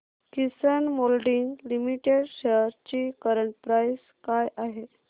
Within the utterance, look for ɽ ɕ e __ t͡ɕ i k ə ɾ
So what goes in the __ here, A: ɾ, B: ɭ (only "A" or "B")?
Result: A